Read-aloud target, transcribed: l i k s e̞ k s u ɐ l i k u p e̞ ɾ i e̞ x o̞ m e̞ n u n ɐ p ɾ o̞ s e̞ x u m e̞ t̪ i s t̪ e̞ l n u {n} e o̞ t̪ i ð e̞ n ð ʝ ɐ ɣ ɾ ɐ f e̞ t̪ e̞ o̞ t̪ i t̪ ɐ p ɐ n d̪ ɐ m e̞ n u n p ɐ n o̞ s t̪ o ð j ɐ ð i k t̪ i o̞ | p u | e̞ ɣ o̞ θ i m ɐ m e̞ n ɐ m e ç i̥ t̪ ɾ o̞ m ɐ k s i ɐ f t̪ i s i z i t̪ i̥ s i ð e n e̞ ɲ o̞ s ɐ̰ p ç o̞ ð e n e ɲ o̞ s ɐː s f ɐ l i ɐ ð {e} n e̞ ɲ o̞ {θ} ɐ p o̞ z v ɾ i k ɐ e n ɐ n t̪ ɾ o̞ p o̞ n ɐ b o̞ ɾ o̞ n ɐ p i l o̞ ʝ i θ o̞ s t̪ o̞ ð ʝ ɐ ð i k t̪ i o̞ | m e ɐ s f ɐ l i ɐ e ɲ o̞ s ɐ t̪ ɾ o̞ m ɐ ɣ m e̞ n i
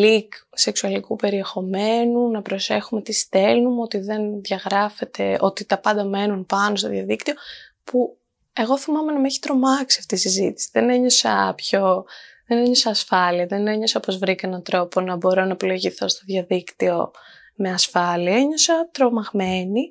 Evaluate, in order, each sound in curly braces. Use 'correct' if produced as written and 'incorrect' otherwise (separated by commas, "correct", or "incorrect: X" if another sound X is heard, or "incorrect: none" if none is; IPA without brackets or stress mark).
incorrect: m, correct, incorrect: s